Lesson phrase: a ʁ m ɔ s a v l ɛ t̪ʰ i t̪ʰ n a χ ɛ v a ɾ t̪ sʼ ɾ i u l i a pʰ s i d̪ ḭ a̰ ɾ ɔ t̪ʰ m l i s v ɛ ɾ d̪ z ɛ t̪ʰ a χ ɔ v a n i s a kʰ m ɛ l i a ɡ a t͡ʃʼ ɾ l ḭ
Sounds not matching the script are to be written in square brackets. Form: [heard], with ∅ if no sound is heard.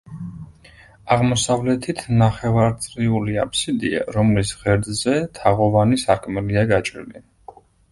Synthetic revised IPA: a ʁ m ɔ s a v l ɛ t̪ʰ i t̪ʰ n a χ ɛ v a ɾ t̪ sʼ ɾ i u l i a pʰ s i d̪ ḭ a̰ ɾ ɔ [∅] m l i s [ʁ] ɛ ɾ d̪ z ɛ t̪ʰ a [ʁ] ɔ v a n i s a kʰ m ɛ l i a ɡ a t͡ʃʼ ɾ l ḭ